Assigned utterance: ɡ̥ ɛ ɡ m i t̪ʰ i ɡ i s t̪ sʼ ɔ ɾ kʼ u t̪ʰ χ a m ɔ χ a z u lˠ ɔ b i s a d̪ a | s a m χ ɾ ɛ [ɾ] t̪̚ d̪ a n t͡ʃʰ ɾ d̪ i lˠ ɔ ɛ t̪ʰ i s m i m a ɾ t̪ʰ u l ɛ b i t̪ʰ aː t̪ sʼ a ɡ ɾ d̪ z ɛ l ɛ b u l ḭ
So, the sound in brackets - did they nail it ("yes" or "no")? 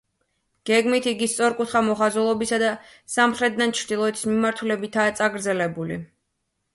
no